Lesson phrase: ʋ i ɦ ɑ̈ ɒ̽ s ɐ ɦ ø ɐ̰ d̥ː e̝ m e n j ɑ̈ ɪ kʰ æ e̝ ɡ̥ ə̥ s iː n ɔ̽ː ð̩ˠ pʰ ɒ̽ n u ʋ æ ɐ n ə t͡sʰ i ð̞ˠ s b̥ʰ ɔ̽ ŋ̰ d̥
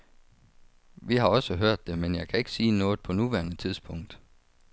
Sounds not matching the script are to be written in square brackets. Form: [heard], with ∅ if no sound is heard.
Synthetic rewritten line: ʋ i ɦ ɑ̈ ɒ̽ s [ə] ɦ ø ɐ̰ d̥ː e̝ m e n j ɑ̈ ɪ kʰ æ e̝ ɡ̥ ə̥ s iː n ɔ̽ː ð̩ˠ pʰ ɒ̽ n u ʋ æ ɐ n ə t͡sʰ i ð̞ˠ s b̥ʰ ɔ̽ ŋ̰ d̥